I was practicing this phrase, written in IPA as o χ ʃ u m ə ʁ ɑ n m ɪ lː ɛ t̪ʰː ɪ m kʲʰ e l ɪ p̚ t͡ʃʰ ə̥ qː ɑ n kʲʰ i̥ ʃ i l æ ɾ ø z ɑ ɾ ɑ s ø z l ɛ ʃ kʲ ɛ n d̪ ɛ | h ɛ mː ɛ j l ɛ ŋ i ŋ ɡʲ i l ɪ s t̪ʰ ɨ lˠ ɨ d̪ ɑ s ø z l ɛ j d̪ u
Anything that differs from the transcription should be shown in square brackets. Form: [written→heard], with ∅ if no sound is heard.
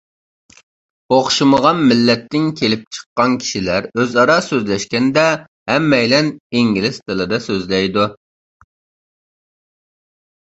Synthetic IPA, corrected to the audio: o χ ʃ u m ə ʁ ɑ n m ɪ lː ɛ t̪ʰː ɪ [m→ŋ] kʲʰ e l ɪ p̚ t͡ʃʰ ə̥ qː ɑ n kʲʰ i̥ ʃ i l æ ɾ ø z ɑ ɾ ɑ s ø z l ɛ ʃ kʲ ɛ n d̪ ɛ | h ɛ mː ɛ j l ɛ [ŋ→n] i ŋ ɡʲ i l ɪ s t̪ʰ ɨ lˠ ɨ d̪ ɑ s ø z l ɛ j d̪ u